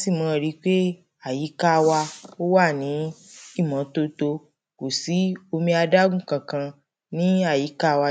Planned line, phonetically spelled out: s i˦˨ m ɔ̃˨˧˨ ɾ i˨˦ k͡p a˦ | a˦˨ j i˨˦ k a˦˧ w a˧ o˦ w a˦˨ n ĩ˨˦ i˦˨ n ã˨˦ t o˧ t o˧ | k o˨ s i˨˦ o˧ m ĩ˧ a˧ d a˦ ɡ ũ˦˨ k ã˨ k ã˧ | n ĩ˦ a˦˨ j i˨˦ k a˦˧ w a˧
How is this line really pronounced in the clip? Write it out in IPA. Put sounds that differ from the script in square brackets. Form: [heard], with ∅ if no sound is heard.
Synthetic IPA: s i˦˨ m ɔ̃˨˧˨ ɾ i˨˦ k͡p [e˦] | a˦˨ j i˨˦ k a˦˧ w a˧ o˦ w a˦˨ n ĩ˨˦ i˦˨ [m] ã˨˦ t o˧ t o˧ | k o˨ s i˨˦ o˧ m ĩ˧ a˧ d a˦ ɡ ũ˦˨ k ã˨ k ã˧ | n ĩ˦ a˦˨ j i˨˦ k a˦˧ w a˧